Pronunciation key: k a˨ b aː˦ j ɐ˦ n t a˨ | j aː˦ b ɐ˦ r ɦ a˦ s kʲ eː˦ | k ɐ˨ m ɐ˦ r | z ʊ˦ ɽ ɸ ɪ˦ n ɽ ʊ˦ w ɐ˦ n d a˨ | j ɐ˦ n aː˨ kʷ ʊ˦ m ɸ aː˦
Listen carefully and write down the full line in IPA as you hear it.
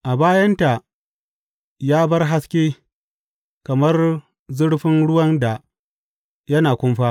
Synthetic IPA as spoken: ʔ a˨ b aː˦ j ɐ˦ n t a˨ | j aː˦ b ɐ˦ r ɦ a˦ s kʲ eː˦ | k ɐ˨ m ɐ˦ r | z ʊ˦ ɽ ɸ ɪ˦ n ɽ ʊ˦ w ɐ˦ n d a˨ | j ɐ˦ n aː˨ kʷ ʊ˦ m ɸ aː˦